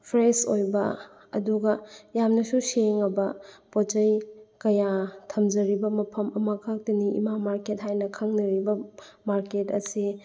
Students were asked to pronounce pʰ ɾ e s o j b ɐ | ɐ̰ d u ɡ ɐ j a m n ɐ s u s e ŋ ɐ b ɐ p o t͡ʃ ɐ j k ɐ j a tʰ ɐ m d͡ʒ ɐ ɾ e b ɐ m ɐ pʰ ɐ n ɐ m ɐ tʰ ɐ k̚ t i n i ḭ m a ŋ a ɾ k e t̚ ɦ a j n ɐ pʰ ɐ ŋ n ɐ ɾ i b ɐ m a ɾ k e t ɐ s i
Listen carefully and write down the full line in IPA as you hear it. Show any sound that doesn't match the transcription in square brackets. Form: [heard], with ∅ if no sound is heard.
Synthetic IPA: pʰ ɾ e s o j b ɐ | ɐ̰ d u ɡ ɐ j a m n ɐ s u s e ŋ ɐ b ɐ p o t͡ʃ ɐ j k ɐ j a tʰ ɐ m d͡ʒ ɐ ɾ [i] b ɐ m ɐ pʰ ɐ [m] ɐ m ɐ [kʰ] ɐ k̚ t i n i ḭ m a [m] a ɾ k e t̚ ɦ a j n ɐ [kʰ] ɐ ŋ n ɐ ɾ i b ɐ m a ɾ k e t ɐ s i